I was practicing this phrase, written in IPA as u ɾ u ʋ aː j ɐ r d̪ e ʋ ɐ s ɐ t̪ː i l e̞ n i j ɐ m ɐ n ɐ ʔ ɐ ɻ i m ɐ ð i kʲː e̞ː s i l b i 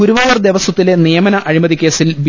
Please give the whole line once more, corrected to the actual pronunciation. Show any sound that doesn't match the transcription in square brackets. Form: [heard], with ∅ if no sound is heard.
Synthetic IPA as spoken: u ɾ u ʋ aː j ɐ r d̪ e ʋ ɐ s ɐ t̪ː i l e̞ n i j ɐ m ɐ n ɐ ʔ ɐ ɻ i m ɐ ð i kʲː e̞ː s i l b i

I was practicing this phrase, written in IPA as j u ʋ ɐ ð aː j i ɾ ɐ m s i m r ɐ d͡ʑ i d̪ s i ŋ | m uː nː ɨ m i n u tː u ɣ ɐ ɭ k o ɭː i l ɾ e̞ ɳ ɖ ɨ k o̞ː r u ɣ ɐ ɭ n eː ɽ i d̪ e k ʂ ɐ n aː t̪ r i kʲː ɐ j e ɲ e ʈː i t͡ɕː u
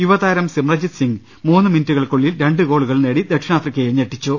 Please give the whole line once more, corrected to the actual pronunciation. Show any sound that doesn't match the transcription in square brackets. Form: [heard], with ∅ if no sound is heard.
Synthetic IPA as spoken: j u ʋ ɐ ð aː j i ɾ ɐ m s i m r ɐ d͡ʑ i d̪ s i ŋ | m uː nː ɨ m i n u tː u ɣ ɐ ɭ k o ɭː i l ɾ e̞ ɳ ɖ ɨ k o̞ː [ɭ] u ɣ ɐ ɭ n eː ɽ i d̪ e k ʂ ɐ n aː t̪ r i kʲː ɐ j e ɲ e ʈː i t͡ɕː u

